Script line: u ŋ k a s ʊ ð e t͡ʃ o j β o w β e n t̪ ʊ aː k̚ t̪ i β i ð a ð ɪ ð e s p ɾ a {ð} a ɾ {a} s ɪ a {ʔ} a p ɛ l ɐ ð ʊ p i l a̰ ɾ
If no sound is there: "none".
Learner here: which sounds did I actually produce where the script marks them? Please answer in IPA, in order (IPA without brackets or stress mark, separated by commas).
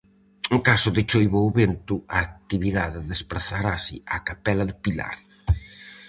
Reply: θ, a, k